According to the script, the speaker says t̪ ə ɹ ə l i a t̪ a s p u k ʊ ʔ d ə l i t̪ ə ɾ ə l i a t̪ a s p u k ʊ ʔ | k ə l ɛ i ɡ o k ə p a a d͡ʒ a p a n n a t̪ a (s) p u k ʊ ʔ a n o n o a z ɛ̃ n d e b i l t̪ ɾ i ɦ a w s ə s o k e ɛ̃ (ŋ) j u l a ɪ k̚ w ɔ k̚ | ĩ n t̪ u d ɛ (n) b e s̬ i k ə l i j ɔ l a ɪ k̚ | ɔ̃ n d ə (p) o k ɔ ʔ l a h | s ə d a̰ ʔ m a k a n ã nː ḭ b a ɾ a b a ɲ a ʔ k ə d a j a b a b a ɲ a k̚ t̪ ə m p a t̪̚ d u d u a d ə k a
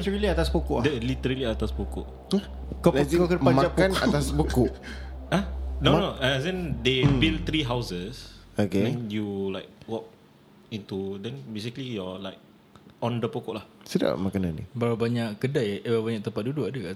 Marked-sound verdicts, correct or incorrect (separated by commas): correct, incorrect, correct, correct